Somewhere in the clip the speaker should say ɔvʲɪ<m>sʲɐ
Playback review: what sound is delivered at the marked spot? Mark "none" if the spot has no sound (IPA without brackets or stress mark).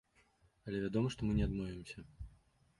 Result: m